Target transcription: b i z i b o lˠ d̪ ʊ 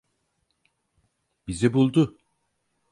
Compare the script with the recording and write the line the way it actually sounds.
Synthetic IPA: b i z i b u lˠ d̪ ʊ

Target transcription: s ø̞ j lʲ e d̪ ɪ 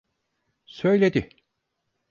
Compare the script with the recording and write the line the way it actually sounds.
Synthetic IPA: s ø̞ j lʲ e d̪ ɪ

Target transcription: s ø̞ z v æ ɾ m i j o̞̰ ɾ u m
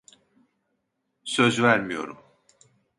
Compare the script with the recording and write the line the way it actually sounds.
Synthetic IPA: s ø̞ z v æ ɾ m i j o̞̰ ɾ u m

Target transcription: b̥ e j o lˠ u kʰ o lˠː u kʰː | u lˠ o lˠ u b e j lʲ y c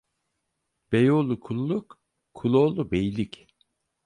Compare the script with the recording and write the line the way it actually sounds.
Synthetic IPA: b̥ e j o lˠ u kʰ u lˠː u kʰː | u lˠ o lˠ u b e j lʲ i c

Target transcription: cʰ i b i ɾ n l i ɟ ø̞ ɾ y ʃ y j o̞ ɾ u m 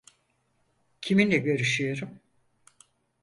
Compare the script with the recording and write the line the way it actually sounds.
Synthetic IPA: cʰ i m i n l ɛ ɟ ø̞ ɾ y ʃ y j o̞ ɾ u m

